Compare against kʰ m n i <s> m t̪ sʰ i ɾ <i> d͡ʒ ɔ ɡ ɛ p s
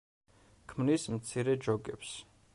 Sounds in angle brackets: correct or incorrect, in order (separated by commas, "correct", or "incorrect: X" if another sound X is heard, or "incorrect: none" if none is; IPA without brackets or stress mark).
correct, incorrect: ɛ